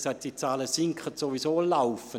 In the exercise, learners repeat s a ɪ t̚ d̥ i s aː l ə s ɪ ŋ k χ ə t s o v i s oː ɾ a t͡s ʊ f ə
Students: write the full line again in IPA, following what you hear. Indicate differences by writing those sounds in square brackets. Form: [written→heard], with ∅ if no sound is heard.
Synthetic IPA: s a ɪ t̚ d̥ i [s→t͡s] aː l ə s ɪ ŋ k χ ə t s o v i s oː [ɾ→l] a [t͡s→∅] ʊ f ə

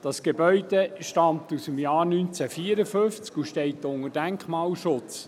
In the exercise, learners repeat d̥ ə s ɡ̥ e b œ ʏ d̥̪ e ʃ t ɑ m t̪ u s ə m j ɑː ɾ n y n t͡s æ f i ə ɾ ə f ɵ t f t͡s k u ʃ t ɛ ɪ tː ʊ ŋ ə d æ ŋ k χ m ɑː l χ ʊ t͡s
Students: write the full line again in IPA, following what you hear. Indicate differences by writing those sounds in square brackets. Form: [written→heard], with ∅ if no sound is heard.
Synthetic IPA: d̥ [ə→ɑ] s ɡ̥ e b œ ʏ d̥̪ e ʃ t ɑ m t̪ u s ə m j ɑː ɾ n y n t͡s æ f i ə ɾ ə f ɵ [t→∅] f t͡s k u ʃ t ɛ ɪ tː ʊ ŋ ə d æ ŋ k χ m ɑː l [χ→ʃ] ʊ t͡s

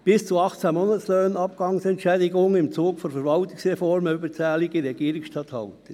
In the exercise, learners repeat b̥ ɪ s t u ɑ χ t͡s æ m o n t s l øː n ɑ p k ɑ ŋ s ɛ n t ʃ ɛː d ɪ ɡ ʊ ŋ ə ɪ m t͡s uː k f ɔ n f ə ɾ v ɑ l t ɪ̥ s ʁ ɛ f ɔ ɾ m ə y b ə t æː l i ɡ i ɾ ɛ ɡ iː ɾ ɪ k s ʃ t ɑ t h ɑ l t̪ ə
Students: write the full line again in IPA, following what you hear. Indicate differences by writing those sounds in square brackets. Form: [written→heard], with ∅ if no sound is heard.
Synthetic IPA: b̥ ɪ s [t→t͡s] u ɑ χ t͡s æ m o n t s l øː n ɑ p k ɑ ŋ s ɛ n t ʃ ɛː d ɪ ɡ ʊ ŋ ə ɪ m t͡s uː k f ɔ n f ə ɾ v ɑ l t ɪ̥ s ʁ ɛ f ɔ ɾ m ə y b ə [t→t͡s] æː l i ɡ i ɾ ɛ ɡ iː ɾ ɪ k s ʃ t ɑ t h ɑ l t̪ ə

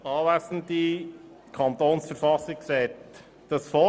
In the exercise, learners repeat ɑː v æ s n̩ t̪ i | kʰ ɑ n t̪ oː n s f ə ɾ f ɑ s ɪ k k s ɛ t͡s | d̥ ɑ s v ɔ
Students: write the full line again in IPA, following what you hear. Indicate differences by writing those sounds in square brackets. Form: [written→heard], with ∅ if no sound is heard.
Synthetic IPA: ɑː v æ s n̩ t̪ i | kʰ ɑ n t̪ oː n s f ə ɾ f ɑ s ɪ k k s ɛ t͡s | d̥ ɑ s [v→f] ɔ

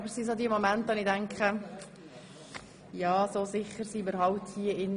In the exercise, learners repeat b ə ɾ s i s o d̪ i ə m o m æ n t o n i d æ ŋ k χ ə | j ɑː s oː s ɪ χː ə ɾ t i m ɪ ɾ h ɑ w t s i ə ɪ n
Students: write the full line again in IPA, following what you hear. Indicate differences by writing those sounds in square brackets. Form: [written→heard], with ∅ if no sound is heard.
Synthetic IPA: b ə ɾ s i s o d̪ i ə m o m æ n t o n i d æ ŋ k χ ə | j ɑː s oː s ɪ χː ə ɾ [t→s] i m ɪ ɾ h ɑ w t [s→h] i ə ɪ n

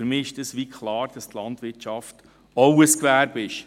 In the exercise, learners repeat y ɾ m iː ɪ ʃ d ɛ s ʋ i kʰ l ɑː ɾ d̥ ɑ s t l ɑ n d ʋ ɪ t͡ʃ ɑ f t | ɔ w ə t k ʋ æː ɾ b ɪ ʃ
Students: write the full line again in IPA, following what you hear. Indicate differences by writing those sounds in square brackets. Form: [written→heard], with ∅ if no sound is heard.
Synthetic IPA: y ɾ m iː ɪ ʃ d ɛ s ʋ i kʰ l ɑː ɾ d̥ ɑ s t l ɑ n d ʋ ɪ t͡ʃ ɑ f t | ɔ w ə [t→s] k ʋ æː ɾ b ɪ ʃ

